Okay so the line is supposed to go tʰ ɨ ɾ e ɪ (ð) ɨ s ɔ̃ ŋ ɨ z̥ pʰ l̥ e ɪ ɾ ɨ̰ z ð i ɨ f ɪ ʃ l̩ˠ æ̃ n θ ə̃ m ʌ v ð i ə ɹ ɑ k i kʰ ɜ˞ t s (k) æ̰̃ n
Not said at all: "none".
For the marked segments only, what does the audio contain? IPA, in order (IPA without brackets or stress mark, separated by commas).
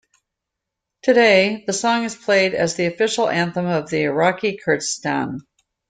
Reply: ð, t